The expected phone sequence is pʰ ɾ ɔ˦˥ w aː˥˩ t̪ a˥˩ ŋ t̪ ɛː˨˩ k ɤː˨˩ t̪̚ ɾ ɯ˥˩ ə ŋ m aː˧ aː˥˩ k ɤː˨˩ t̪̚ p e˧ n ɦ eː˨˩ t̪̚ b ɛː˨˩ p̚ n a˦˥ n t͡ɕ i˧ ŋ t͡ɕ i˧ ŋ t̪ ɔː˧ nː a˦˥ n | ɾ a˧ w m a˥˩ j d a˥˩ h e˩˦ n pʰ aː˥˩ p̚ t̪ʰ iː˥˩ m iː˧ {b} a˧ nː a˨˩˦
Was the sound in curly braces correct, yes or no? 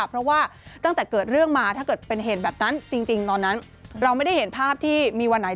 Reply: no